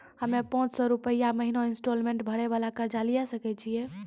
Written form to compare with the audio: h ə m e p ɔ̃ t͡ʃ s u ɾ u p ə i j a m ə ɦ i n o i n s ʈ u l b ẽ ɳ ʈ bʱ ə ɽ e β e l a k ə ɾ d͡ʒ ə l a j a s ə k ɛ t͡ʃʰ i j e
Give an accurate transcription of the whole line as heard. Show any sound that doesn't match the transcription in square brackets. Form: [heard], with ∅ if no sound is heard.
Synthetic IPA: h ə m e p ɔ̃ t͡ʃ s [ɔ] ɾ u p ə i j a m ə ɦ i n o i n s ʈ [o] l [m] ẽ ɳ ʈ bʱ ə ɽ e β [a] l a k ə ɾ d͡ʒ [a] l [i] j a s ə k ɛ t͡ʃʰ i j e